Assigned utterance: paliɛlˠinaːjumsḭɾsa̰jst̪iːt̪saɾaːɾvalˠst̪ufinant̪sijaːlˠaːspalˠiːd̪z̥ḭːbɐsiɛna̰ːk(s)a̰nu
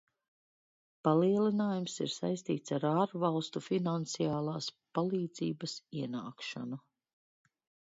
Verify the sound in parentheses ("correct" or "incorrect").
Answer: incorrect